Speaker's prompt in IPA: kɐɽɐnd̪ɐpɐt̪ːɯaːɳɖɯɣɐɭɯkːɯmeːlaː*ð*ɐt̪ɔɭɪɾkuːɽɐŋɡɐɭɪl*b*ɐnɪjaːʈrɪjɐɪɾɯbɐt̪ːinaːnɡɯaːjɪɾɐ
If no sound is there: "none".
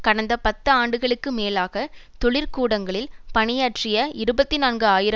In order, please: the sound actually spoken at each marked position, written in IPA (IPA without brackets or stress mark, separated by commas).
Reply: ɣ, p